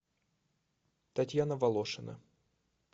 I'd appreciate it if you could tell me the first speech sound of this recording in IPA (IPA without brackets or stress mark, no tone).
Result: t̪